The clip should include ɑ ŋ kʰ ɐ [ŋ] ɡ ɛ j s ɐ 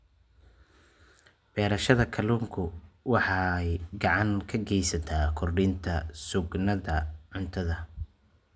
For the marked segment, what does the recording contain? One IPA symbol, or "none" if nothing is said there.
none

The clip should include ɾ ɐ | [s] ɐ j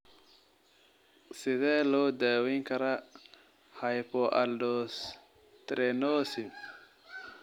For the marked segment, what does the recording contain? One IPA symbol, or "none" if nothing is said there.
h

